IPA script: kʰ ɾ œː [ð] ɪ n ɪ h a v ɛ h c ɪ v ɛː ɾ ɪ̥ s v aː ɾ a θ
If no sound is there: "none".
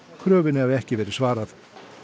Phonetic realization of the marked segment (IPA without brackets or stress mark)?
v